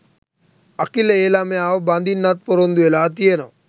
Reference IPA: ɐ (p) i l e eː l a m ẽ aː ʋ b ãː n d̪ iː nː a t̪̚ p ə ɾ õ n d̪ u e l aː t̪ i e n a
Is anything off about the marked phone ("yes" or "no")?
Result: yes